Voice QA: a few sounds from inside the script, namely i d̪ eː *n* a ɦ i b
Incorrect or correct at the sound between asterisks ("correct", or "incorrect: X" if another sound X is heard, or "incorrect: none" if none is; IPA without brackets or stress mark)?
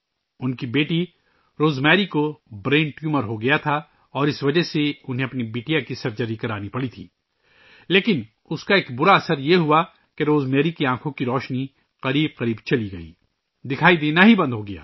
correct